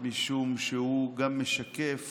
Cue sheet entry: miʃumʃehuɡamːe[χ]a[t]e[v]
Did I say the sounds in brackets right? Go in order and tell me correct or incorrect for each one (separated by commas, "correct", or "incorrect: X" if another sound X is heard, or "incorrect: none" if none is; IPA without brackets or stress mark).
incorrect: ʃ, incorrect: k, incorrect: f